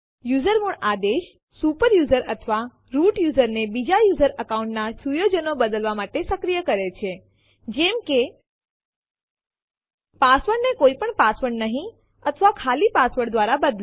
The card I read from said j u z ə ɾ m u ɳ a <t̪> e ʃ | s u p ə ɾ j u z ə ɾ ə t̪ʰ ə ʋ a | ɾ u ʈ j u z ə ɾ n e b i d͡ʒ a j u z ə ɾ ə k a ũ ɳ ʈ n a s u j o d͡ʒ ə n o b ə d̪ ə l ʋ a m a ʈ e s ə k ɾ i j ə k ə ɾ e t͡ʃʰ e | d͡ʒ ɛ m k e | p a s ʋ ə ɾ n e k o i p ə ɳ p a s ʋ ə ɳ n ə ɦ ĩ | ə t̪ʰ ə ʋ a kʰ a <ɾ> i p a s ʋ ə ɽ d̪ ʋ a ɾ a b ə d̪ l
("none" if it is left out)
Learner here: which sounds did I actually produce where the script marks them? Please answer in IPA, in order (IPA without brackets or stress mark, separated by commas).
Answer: d̪, l